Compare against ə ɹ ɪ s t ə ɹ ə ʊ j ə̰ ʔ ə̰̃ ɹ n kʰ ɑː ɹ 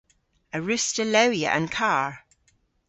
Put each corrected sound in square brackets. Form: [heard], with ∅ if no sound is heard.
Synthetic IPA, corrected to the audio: ə ɹ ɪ s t ə [l] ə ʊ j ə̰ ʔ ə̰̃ [∅] n kʰ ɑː ɹ

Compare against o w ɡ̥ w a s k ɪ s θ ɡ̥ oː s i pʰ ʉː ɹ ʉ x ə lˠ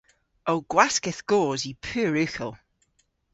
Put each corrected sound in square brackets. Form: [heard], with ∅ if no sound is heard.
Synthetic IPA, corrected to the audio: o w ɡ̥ w a s k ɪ [∅] θ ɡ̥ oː [z] i pʰ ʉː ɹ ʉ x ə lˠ

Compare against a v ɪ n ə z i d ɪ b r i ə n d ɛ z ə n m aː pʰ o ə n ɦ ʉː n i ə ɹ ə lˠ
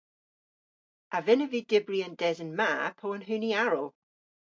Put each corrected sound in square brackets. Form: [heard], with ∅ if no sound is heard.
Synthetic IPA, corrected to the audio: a v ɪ n ə [v] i d ɪ b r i ə n d ɛ z ə n m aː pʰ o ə n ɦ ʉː n i [a] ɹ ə lˠ

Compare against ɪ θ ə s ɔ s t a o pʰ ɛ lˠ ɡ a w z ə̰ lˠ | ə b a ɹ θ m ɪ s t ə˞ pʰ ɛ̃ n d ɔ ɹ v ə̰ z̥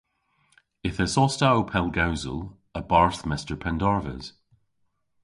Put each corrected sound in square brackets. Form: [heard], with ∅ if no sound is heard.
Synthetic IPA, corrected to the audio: ɪ θ ə s ɔ s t a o pʰ ɛ lˠ ɡ a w z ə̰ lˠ | ə b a ɹ θ m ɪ s t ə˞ pʰ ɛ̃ n d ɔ ɹ v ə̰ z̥

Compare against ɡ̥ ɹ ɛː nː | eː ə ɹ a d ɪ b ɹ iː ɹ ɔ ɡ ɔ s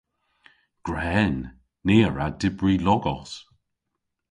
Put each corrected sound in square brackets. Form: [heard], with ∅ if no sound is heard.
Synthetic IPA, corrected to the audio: ɡ̥ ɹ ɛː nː | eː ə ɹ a d ɪ b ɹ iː [l] ɔ ɡ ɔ s

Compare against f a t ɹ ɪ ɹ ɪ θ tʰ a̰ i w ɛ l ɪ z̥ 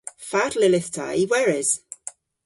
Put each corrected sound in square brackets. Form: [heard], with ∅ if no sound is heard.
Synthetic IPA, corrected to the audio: f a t [l] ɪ [l] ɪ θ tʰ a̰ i w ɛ [ɹ] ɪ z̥

